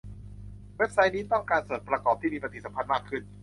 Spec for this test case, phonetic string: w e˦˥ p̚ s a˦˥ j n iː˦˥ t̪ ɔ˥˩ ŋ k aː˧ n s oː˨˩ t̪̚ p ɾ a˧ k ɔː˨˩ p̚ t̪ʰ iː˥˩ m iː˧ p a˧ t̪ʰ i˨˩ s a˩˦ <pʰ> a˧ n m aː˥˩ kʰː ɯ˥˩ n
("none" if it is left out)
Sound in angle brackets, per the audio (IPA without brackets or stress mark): pʰ